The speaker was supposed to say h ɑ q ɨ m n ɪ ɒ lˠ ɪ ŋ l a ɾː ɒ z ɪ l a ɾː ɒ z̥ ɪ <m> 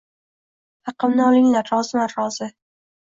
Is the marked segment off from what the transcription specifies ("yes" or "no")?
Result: yes